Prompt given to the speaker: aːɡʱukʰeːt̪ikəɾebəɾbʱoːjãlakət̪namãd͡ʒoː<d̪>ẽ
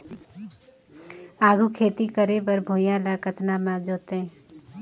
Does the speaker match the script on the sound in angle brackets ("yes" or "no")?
no